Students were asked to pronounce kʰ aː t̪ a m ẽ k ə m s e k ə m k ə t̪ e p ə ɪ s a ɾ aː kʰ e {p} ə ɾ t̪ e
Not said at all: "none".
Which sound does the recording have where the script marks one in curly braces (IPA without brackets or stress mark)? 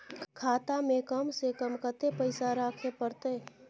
p